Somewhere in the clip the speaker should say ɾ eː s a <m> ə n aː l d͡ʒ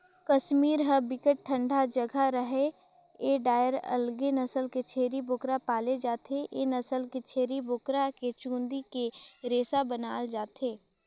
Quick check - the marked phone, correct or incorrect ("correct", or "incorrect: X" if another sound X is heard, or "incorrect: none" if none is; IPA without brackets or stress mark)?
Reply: incorrect: b